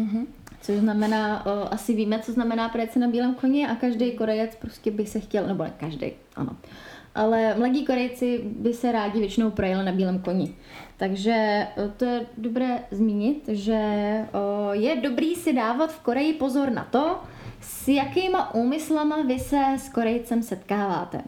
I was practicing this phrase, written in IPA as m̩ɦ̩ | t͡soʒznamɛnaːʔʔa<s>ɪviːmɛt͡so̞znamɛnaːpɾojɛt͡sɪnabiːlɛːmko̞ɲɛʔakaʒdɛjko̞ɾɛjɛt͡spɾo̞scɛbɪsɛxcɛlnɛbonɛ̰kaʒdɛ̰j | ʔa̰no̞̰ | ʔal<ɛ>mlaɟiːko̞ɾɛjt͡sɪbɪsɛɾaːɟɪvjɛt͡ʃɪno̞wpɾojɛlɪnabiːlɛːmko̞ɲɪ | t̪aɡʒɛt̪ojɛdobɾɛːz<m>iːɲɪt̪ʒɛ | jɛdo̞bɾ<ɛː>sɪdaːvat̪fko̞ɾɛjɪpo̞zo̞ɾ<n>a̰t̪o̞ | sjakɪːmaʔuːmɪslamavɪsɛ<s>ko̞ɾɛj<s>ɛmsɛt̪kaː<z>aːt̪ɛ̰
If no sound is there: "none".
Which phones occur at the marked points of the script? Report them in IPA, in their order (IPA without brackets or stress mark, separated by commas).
s, ɛ, m, iː, n, s, t͡s, v